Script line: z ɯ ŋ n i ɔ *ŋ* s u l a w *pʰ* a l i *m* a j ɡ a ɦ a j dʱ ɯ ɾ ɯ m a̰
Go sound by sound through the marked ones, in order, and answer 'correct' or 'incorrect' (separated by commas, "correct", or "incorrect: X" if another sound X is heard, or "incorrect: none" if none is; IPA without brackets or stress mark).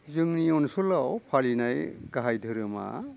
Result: incorrect: n, correct, incorrect: n